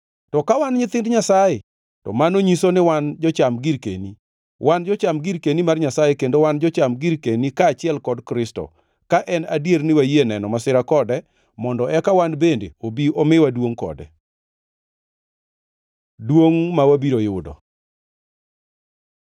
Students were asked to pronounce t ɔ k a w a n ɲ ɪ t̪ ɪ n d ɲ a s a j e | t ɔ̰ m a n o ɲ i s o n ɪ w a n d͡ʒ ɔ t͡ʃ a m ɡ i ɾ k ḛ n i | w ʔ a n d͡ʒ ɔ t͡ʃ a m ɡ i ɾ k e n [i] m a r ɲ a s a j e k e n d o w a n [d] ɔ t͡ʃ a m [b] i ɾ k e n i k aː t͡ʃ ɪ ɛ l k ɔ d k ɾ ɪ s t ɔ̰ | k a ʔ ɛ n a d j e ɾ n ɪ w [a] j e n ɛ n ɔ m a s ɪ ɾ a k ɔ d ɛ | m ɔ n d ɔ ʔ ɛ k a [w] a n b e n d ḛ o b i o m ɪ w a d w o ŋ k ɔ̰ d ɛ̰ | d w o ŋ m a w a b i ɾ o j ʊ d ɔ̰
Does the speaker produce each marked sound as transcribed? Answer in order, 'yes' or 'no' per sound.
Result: yes, no, no, yes, yes

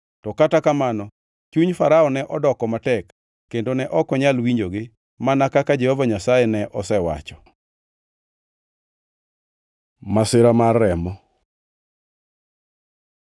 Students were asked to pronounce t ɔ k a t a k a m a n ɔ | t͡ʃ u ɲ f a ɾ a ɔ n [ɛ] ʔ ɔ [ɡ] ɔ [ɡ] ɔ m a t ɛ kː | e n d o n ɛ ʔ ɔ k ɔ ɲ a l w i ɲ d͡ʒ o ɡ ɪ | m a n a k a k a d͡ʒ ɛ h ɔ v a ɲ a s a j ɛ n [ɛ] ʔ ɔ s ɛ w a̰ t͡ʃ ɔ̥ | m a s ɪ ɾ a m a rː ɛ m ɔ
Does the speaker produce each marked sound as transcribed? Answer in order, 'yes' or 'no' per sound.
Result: yes, no, no, yes

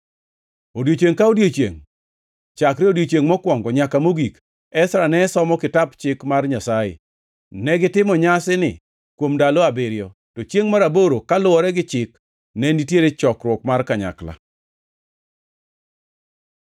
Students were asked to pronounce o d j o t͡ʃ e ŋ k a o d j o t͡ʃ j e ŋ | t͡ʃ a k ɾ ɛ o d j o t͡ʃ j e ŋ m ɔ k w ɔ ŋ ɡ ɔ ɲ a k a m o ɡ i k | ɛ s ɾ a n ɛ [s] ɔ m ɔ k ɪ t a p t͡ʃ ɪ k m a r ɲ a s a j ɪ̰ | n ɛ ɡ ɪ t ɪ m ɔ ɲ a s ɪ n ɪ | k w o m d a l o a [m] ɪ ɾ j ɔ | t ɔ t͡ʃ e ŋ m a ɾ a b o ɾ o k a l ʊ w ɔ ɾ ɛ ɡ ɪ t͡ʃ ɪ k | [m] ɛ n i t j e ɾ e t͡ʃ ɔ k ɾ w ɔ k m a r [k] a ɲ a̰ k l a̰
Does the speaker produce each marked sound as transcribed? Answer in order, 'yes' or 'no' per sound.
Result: yes, no, no, yes

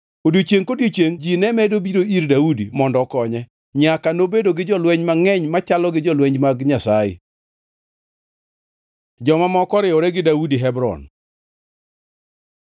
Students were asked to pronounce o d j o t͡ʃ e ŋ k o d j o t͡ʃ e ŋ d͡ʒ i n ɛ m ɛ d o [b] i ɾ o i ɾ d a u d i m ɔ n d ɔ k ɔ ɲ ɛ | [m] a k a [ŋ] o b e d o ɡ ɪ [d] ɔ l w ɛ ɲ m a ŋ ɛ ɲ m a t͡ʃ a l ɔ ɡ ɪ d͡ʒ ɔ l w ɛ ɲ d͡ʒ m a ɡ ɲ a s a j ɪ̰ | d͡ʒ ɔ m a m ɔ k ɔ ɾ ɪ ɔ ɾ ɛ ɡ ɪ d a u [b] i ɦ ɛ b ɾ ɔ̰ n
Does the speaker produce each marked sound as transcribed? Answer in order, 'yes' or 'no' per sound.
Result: yes, no, no, no, no

